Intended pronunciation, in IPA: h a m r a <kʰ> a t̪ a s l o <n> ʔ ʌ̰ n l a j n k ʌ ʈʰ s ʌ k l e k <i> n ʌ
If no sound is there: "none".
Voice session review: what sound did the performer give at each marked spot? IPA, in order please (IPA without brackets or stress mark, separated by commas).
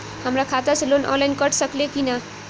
kʰ, n, i